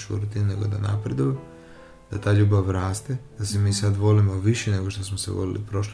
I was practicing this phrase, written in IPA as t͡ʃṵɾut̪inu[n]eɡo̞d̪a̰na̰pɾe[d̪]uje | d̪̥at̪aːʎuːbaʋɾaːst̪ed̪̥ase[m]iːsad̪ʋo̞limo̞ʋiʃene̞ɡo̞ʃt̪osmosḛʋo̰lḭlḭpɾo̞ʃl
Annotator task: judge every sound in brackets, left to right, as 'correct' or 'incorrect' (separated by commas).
correct, correct, correct